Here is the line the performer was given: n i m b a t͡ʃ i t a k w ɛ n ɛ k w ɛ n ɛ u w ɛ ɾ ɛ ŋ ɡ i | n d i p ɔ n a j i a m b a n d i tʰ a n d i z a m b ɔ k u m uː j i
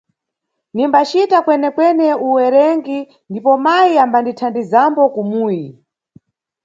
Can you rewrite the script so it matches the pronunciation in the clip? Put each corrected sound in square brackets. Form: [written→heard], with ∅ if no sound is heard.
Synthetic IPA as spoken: n i m b a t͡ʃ i t a k w ɛ n ɛ k w ɛ n ɛ u w ɛ ɾ ɛ ŋ ɡ i | n d i p ɔ [n→m] a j i a m b a n d i tʰ a n d i z a m b ɔ k u m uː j i